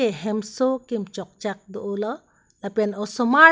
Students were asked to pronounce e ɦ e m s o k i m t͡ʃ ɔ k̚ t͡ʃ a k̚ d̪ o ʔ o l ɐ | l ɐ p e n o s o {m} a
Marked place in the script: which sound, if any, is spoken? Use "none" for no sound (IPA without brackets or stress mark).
m